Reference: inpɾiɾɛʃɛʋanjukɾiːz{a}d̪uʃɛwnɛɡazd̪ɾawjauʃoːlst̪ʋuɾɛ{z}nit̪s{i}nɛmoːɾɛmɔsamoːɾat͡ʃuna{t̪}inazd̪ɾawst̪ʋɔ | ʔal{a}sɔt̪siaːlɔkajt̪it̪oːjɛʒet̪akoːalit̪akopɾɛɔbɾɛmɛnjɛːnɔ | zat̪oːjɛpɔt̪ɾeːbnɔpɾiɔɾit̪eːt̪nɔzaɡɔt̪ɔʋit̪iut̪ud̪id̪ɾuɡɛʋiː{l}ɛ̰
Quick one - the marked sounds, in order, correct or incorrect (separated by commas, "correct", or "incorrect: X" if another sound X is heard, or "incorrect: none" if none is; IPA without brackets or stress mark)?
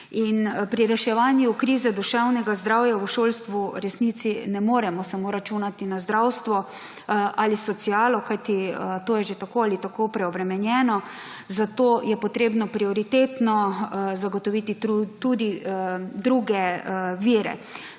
incorrect: ɛ, incorrect: s, correct, correct, incorrect: i, incorrect: ɾ